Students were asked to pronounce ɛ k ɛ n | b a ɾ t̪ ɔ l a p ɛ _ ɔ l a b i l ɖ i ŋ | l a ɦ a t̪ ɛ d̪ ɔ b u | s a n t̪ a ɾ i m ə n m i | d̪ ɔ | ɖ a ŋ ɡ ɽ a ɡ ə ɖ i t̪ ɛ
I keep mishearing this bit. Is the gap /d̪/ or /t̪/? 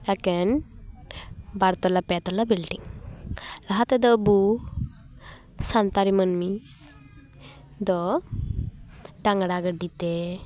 t̪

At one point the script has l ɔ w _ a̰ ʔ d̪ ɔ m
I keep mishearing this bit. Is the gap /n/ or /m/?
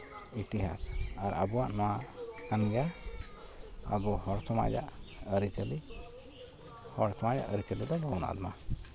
n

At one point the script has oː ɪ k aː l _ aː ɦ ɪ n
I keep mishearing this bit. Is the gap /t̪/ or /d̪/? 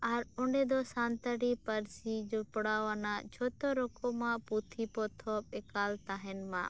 t̪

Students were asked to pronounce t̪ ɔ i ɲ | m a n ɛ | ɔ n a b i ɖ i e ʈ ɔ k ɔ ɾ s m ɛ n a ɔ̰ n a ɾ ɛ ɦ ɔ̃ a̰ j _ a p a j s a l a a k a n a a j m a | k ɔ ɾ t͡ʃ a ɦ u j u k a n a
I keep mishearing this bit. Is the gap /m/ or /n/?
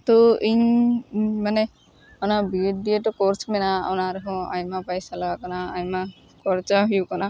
m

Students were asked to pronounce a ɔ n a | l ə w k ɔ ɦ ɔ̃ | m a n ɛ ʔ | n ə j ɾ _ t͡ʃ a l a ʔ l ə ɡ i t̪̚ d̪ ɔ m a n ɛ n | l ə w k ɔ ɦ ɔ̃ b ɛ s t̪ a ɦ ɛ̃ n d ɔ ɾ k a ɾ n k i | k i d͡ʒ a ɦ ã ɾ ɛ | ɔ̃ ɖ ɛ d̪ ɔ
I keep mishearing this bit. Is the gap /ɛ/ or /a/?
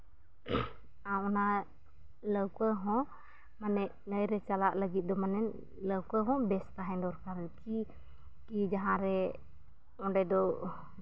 ɛ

